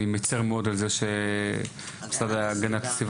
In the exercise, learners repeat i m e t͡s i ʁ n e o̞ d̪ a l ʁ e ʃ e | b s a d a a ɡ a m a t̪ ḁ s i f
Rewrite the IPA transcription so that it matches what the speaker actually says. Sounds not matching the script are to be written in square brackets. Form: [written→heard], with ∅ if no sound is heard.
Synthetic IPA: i m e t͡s [i→e] ʁ [n→m] e o̞ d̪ a l [ʁ→z] e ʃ e | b s a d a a ɡ a [m→n] a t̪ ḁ s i [f→v]